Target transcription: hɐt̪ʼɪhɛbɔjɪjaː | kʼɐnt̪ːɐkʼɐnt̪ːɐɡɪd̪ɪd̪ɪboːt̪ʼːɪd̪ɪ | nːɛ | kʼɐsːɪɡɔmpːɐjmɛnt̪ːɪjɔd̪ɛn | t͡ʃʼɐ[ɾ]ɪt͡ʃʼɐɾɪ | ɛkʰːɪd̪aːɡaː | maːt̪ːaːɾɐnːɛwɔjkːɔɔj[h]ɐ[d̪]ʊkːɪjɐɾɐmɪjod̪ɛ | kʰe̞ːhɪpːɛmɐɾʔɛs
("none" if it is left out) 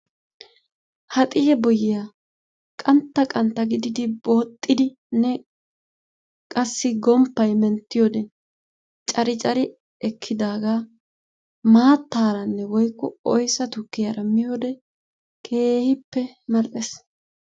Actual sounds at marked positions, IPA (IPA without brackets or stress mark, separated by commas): ɾ, s, t̪